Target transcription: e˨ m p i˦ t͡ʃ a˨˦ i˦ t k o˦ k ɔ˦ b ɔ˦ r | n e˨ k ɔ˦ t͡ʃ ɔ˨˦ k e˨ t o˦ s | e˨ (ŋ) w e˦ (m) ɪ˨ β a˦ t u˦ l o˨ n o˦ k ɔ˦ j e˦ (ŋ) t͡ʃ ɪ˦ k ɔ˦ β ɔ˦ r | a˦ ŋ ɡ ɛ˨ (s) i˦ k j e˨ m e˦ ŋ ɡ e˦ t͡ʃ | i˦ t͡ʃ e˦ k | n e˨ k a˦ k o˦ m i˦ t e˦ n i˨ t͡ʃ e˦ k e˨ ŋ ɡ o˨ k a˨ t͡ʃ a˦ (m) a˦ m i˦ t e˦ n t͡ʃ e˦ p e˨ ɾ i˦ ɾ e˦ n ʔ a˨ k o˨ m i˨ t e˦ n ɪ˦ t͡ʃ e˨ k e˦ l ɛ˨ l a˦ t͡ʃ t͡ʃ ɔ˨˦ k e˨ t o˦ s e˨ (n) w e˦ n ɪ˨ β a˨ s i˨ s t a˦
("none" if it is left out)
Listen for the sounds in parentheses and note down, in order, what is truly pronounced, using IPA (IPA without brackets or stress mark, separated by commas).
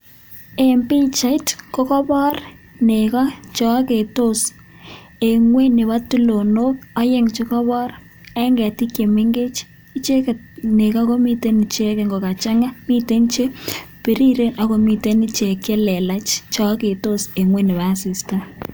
ŋ, n, ŋ, t, ŋ, ŋ